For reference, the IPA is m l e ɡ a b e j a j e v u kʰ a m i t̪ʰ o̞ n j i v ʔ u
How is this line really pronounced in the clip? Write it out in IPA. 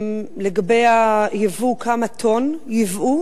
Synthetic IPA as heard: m l e ɡ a b e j a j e v u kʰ a m a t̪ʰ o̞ n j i v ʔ u